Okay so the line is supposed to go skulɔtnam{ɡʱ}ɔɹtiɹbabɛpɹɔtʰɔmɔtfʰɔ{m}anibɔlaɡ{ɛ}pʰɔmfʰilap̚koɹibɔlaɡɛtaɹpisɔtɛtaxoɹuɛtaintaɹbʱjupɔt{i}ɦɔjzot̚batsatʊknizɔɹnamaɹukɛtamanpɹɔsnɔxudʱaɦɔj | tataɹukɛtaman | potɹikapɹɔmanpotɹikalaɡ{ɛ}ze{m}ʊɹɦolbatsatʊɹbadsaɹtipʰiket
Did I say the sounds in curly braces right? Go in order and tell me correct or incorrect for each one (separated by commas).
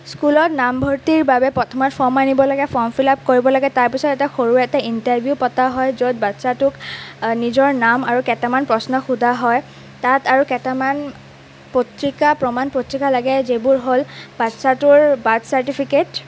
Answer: incorrect, correct, correct, incorrect, correct, incorrect